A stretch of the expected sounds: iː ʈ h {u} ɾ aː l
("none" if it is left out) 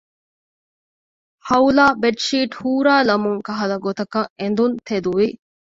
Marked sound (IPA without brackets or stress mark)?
uː